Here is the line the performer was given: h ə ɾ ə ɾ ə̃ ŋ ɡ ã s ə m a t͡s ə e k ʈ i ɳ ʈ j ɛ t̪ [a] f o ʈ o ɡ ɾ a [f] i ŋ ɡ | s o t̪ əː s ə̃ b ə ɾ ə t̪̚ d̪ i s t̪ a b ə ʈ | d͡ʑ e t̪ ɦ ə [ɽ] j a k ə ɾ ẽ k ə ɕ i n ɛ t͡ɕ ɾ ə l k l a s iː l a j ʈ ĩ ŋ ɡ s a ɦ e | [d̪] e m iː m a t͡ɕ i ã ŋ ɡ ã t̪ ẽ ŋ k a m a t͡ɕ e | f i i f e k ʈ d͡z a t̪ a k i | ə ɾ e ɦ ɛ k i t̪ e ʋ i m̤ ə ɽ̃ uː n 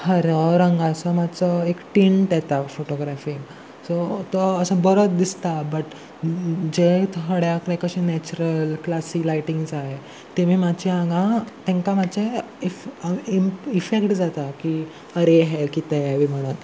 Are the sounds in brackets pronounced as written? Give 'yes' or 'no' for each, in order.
yes, yes, yes, no

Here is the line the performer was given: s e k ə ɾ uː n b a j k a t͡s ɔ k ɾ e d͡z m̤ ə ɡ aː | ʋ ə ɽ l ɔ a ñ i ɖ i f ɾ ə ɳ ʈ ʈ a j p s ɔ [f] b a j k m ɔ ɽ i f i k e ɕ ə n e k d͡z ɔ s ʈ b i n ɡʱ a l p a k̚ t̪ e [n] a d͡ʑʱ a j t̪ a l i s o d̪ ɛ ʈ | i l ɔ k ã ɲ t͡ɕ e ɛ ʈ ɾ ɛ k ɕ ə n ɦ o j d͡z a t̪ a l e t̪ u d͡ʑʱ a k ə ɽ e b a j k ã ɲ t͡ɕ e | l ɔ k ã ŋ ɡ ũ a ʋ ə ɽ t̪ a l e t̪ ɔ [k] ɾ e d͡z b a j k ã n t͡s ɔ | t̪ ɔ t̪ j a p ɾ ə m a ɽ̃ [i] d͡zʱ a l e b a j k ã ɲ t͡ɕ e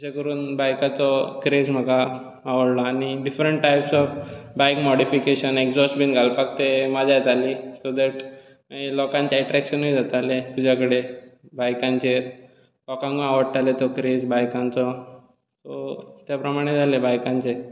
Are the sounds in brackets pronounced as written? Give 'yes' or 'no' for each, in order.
yes, no, yes, no

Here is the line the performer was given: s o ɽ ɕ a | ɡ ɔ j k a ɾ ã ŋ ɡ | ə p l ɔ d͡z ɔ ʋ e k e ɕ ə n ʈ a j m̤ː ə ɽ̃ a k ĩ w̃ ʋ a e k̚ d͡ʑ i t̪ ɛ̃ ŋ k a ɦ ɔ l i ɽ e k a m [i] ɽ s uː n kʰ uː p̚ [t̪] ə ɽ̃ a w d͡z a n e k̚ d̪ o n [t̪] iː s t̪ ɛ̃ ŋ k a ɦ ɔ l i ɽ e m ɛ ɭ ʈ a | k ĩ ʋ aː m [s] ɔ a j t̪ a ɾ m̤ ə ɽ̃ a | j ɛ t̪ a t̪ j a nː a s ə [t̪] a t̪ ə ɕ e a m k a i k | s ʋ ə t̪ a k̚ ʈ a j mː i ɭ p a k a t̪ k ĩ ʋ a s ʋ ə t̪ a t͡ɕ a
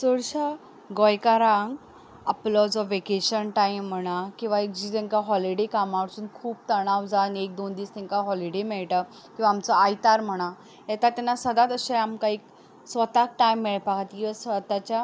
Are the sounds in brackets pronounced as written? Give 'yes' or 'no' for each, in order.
no, yes, no, no, no

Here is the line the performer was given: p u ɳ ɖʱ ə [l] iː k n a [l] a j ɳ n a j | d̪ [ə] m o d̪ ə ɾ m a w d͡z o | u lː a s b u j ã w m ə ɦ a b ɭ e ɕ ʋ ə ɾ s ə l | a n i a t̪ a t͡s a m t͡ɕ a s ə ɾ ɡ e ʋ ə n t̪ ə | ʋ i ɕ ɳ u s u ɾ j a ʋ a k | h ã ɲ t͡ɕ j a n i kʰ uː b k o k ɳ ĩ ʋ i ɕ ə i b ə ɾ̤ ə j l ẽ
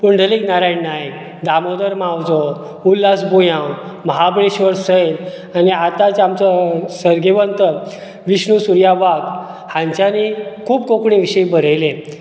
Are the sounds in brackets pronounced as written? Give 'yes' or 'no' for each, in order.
yes, no, no

